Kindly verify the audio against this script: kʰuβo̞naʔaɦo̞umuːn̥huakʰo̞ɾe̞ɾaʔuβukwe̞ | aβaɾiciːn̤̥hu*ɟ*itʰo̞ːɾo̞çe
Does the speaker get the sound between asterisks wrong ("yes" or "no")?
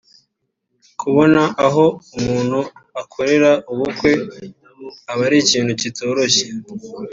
yes